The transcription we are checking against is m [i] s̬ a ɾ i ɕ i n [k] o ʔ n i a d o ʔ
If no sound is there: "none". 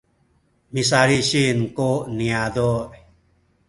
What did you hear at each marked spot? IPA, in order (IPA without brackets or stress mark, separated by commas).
i, k